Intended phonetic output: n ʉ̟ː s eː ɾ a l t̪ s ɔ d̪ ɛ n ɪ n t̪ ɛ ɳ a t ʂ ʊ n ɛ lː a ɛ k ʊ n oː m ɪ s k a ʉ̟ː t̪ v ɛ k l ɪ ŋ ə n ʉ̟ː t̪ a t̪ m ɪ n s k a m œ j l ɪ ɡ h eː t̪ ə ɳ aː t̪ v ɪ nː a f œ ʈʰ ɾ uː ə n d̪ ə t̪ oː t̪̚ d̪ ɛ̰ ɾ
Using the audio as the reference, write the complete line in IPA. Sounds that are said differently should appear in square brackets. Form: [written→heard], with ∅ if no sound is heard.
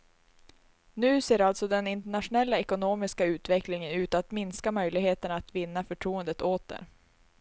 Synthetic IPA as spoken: n ʉ̟ː s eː ɾ a l t̪ s ɔ d̪ ɛ n ɪ n t̪ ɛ ɳ a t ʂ ʊ n ɛ lː a ɛ k ʊ n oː m ɪ s k a ʉ̟ː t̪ v ɛ k l ɪ ŋ ə n ʉ̟ː t̪ a t̪ m ɪ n s k a m œ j l ɪ ɡ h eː t̪ ə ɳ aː t̪ v ɪ nː a f œ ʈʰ ɾ uː ə n d̪ ə t̪ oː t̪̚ d̪ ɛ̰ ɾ